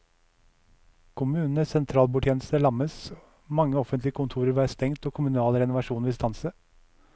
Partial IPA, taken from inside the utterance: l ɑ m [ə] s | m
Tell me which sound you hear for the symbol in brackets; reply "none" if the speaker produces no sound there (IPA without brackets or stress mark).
ə